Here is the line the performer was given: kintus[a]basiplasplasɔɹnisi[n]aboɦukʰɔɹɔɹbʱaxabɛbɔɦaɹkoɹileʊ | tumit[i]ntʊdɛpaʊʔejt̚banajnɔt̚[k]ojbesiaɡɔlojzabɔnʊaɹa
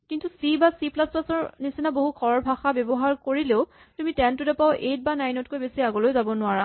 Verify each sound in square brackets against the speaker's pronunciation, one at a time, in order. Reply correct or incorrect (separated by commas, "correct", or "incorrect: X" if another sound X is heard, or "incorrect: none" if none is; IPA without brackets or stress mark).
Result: incorrect: i, correct, incorrect: ɛ, correct